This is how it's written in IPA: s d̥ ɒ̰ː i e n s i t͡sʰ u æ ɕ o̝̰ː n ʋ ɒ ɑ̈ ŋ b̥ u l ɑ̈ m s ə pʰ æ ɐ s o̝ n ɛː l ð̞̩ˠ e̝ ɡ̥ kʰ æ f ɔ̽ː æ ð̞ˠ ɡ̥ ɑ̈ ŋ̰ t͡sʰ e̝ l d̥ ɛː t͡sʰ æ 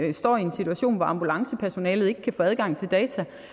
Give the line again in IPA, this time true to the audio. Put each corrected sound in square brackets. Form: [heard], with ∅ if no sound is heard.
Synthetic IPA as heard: s d̥ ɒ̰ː i e n s i t͡sʰ u æ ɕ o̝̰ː n ʋ ɒ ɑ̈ [m] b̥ u l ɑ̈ [ŋ] s ə pʰ æ ɐ s o̝ n ɛː l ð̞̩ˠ e̝ ɡ̥ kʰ æ f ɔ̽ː æ ð̞ˠ ɡ̥ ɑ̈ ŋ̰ t͡sʰ e̝ l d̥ ɛː t͡sʰ æ